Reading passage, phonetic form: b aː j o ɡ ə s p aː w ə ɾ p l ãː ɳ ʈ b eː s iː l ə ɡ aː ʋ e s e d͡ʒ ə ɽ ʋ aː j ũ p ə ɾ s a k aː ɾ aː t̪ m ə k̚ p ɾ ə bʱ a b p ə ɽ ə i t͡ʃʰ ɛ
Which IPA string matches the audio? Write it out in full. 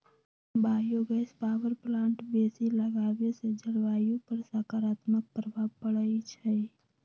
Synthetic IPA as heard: b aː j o ɡ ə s p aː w ə ɾ p l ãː ɳ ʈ b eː s i l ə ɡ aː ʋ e s e d͡ʒ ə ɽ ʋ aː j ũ p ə ɾ s a k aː ɾ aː t̪ m ə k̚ p ɾ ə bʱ a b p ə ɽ ə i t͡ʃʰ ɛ